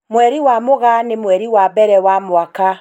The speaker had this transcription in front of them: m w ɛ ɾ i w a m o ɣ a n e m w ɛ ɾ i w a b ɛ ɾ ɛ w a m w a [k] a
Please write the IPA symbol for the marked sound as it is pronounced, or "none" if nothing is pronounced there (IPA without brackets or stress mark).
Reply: k